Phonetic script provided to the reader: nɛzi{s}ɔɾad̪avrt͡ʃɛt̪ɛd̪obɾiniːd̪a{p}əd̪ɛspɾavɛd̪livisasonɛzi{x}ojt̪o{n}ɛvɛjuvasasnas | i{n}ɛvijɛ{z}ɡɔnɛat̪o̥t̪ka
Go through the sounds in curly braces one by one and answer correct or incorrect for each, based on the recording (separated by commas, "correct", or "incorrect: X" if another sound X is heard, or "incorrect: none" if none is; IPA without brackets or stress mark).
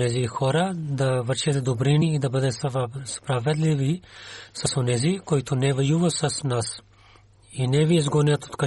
incorrect: x, incorrect: b, incorrect: k, correct, correct, correct